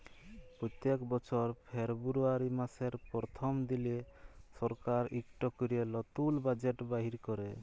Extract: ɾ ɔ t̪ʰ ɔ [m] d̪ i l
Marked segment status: correct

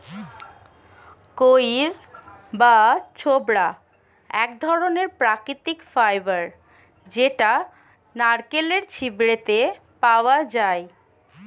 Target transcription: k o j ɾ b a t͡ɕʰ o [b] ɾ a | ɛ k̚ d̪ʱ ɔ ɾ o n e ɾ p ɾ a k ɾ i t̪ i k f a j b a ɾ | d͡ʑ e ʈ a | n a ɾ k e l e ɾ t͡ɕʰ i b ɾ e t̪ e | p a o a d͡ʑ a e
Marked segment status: correct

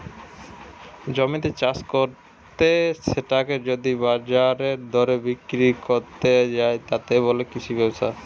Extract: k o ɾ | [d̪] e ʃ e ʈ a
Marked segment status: incorrect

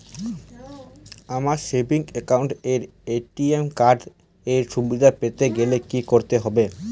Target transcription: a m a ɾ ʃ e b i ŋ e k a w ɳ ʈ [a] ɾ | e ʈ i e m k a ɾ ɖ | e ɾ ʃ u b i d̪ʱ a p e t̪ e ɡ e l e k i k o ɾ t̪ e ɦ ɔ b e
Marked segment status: incorrect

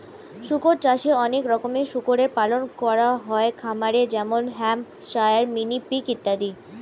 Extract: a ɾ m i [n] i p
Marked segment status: correct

